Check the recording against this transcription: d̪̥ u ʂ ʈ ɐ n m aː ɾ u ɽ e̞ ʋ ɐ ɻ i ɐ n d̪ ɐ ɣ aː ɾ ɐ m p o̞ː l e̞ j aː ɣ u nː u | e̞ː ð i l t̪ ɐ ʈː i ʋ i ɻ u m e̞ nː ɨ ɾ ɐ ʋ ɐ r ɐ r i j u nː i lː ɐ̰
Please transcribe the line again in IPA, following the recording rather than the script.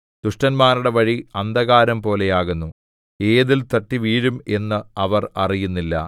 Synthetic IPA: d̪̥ u ʂ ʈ ɐ n m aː ɾ u ɽ e̞ ʋ ɐ ɻ i ɐ n d̪ ɐ ɣ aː ɾ ɐ m p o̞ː l e̞ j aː ɣ u nː u | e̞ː ð i l t̪ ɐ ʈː i ʋ iː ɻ u m e̞ nː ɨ ɐ ʋ ɐ r ɐ r i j u nː i lː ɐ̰